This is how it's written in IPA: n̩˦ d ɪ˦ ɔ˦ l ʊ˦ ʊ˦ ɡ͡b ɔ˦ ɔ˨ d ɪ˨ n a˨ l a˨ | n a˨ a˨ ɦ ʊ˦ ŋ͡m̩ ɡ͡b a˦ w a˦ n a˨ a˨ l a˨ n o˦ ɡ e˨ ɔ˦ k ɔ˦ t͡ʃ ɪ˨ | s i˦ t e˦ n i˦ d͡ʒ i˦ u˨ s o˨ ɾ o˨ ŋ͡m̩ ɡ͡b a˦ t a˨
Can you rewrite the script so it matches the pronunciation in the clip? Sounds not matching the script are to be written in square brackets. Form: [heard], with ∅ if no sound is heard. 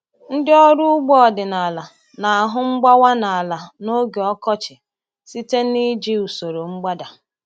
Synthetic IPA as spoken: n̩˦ d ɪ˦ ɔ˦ [ɾ] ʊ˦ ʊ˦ ɡ͡b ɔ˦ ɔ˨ d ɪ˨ n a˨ l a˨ | n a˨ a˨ ɦ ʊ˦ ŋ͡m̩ ɡ͡b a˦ w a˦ n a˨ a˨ l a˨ n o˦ ɡ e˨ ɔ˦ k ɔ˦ t͡ʃ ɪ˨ | s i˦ t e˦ n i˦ d͡ʒ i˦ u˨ s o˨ ɾ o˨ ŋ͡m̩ ɡ͡b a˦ [d] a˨